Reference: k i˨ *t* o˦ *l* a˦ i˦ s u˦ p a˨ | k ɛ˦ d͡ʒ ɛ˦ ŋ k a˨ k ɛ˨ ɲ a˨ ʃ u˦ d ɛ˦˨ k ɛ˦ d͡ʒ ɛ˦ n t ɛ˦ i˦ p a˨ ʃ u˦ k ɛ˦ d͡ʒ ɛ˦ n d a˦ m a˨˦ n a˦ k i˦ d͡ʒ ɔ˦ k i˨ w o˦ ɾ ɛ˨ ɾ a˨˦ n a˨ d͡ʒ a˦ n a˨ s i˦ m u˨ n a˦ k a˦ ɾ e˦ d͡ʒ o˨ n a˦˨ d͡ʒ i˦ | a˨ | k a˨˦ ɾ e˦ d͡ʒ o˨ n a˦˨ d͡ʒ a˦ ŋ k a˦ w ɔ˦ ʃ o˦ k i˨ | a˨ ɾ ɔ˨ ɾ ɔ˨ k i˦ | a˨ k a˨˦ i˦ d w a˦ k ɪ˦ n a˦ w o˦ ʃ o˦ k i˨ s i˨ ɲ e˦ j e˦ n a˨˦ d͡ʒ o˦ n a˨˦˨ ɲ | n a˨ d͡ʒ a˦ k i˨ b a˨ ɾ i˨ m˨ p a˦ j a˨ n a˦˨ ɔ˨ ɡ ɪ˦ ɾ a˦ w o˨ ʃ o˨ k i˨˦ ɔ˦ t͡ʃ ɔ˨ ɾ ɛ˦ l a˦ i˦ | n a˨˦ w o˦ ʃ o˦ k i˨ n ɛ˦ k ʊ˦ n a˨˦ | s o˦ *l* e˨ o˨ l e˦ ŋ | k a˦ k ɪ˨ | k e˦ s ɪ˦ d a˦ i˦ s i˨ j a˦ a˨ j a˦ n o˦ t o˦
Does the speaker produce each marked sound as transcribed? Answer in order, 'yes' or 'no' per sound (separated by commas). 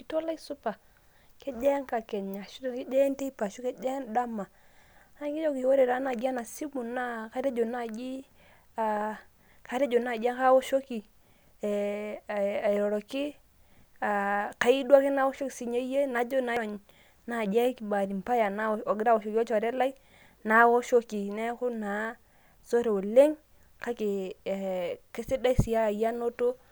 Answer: yes, yes, no